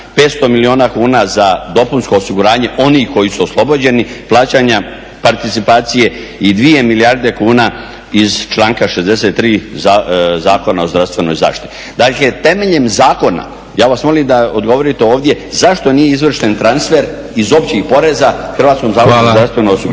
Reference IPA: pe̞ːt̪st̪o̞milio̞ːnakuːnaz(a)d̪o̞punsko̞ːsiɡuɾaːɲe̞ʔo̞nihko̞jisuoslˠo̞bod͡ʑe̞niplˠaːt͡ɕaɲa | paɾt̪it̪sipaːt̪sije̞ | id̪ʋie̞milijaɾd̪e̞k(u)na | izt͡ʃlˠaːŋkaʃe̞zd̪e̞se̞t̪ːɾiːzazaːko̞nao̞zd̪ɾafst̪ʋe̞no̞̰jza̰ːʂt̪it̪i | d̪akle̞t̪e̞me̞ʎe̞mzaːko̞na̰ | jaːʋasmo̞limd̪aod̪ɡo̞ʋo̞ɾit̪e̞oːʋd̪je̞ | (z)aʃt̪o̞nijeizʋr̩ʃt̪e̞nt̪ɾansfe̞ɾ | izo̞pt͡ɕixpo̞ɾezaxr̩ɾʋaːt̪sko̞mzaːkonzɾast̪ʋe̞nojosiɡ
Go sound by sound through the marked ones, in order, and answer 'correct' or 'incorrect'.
correct, incorrect, correct

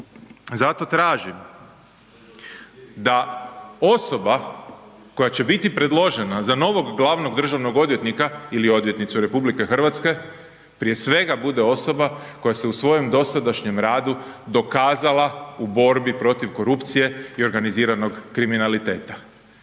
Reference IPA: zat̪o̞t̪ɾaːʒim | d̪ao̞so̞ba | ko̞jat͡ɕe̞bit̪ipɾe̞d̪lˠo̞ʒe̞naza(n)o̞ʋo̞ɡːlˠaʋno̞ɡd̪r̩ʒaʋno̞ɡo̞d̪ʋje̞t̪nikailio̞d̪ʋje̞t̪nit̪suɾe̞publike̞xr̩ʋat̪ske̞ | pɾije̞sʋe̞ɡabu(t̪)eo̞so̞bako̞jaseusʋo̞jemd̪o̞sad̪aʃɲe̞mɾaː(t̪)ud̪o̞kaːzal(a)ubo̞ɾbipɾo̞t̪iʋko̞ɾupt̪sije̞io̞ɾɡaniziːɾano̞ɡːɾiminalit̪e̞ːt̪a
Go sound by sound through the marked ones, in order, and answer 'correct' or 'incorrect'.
correct, incorrect, incorrect, correct

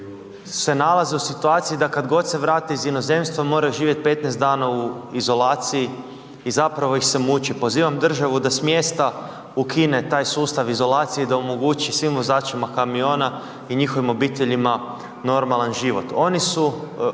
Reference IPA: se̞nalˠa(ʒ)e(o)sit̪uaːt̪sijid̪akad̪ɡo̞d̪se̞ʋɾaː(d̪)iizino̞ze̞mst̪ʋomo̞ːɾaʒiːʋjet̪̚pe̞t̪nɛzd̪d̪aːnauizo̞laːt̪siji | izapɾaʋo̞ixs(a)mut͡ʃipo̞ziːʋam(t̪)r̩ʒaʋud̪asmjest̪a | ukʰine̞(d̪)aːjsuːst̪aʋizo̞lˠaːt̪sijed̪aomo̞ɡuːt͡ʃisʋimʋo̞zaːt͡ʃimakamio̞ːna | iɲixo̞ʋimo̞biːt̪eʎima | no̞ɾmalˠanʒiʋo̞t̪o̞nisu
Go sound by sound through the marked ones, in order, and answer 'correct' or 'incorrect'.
incorrect, incorrect, incorrect, incorrect, incorrect, incorrect

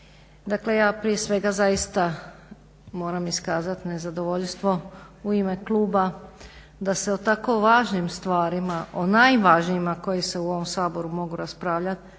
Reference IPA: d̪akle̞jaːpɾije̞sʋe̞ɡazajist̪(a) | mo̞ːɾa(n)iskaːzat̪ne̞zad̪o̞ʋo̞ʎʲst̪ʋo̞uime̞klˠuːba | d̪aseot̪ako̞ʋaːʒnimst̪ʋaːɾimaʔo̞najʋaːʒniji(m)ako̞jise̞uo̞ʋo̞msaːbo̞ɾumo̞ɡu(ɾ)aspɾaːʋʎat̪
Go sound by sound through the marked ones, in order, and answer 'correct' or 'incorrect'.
correct, incorrect, correct, correct

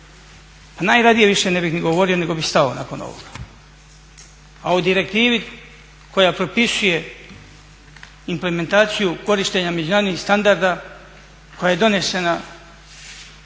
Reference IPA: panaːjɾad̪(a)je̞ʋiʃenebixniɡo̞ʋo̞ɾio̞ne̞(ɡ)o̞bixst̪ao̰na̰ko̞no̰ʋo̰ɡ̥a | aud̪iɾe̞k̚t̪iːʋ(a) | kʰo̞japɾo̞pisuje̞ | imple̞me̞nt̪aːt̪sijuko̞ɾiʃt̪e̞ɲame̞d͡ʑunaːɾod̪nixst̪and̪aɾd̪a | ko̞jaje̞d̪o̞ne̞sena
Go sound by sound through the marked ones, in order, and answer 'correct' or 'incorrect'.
incorrect, correct, incorrect

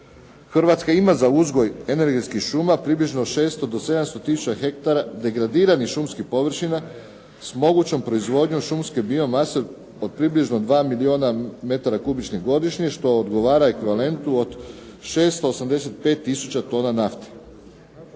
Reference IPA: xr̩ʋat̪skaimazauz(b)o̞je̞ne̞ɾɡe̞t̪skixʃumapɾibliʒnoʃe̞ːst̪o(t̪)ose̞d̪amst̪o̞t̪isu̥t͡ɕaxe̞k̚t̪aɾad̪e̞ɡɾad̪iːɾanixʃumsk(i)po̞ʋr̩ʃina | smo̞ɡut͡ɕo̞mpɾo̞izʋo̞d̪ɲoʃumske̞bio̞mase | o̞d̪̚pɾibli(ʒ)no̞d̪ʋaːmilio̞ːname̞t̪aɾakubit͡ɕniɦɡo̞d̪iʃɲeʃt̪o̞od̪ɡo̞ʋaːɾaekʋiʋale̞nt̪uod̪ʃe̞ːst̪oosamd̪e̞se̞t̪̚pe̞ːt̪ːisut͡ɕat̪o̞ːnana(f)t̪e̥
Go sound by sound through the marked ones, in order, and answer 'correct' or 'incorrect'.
incorrect, incorrect, correct, correct, correct

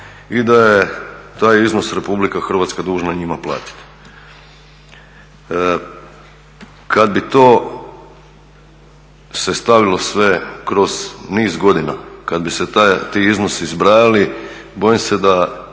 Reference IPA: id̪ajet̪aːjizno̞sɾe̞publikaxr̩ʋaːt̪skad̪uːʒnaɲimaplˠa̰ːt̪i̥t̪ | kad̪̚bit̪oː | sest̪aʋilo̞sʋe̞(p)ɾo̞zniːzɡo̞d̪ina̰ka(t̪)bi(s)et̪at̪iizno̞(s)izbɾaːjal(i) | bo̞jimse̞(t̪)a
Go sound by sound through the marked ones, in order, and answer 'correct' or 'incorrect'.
incorrect, incorrect, correct, correct, correct, incorrect

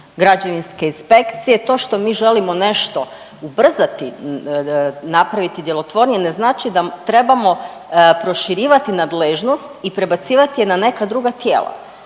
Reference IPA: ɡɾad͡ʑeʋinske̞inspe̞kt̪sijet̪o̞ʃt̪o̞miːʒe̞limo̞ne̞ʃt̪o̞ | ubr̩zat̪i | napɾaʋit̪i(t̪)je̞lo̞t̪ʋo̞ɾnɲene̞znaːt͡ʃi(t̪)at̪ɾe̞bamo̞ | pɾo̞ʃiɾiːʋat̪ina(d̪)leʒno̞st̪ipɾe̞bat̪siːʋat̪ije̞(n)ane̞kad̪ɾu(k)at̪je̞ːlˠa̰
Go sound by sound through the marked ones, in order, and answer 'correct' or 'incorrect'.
incorrect, incorrect, correct, correct, incorrect

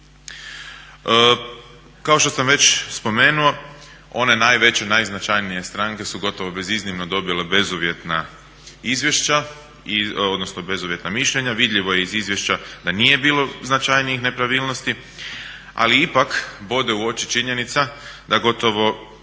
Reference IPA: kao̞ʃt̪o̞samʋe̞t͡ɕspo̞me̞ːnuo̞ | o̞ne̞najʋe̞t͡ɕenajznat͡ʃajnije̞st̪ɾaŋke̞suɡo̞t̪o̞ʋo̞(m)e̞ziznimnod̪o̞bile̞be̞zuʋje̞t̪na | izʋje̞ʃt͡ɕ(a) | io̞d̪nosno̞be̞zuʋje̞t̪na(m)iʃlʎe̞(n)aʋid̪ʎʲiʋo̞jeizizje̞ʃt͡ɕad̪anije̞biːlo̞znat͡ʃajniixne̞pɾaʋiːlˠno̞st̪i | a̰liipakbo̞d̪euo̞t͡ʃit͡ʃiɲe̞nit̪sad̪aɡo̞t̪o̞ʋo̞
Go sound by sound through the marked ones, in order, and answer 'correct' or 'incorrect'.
incorrect, correct, correct, incorrect

